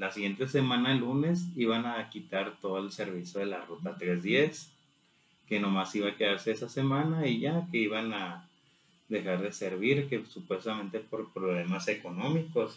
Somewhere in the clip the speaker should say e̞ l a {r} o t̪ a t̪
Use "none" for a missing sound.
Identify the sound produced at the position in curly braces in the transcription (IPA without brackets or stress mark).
r